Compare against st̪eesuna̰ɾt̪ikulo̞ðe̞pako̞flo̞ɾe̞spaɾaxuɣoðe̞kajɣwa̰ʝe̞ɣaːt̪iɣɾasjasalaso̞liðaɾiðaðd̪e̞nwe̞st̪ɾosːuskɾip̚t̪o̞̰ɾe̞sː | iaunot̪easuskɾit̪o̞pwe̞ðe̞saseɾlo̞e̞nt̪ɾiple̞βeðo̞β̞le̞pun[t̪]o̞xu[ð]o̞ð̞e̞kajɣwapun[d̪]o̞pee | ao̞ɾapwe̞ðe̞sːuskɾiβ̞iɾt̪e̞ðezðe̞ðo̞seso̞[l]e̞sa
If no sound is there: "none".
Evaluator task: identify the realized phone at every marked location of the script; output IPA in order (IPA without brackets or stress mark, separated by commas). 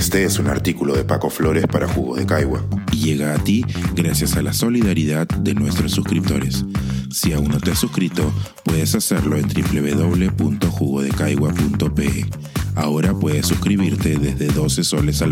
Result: t̪, ɣ, t̪, l